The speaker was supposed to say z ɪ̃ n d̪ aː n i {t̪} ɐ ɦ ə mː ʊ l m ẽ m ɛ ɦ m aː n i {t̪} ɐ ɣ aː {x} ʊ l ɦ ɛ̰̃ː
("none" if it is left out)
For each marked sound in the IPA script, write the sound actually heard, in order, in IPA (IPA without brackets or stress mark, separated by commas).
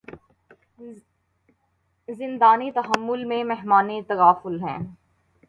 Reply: t̪, t̪, f